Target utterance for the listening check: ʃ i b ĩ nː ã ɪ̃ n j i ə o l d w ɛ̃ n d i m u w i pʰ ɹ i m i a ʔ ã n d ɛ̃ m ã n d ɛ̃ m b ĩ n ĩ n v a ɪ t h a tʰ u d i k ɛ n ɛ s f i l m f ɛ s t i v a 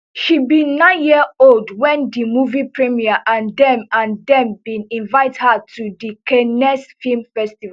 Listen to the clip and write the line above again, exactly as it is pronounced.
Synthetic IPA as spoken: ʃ i b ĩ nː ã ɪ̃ n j i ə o l d w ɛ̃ n d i m u v i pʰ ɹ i m i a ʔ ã n d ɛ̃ m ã n d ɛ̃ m b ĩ n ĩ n v a ɪ t h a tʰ u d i k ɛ n ɛ s f i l m f ɛ s t i v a